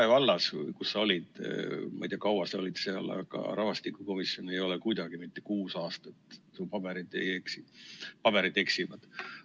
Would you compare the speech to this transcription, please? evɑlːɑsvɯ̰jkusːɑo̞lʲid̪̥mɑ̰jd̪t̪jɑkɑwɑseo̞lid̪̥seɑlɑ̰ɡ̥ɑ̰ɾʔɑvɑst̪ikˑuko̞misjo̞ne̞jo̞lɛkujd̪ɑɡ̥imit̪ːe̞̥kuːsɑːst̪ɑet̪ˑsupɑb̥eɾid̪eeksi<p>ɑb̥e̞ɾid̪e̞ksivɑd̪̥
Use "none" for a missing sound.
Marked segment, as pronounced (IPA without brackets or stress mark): p